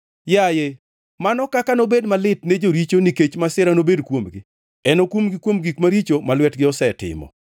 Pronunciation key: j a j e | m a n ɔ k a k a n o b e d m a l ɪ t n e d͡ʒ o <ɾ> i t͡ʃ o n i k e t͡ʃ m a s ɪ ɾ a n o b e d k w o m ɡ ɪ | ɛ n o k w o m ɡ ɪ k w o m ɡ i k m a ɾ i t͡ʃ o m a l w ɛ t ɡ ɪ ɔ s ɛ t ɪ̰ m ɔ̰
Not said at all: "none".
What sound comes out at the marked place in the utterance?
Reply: ɾ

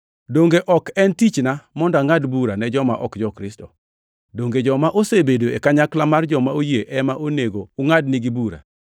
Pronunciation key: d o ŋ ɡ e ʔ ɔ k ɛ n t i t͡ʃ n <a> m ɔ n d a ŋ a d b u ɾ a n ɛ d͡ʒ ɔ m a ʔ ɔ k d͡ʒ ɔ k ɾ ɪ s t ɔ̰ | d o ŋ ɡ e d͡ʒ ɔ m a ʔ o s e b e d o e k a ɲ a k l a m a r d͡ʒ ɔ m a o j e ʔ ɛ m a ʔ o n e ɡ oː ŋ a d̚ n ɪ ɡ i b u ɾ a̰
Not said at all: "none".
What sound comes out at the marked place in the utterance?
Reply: a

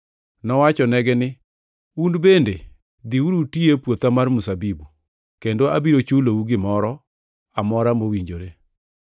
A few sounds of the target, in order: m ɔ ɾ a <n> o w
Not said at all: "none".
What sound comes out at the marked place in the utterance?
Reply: m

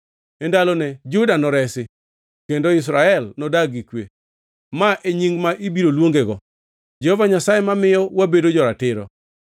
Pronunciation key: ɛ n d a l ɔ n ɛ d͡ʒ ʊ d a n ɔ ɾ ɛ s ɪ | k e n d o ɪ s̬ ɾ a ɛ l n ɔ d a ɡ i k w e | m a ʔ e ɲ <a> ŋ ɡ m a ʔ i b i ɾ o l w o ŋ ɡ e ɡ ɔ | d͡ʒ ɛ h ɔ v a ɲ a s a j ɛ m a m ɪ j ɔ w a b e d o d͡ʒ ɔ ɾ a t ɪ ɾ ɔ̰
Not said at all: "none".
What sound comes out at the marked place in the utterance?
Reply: i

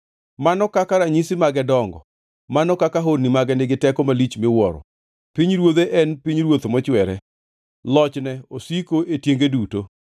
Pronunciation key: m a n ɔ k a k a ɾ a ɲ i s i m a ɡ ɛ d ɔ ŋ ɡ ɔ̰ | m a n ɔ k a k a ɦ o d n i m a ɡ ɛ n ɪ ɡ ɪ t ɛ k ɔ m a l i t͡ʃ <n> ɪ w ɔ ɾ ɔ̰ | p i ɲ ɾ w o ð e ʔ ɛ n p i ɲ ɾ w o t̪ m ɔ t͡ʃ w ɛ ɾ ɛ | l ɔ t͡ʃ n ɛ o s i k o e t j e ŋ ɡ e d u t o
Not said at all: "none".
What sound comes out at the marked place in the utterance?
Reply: m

